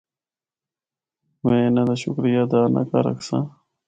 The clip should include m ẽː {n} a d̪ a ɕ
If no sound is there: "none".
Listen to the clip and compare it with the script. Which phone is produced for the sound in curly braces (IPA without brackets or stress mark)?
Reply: n